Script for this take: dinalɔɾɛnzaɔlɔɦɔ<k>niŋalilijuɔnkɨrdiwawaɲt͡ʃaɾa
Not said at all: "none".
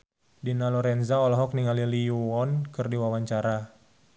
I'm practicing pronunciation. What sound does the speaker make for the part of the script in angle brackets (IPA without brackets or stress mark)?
k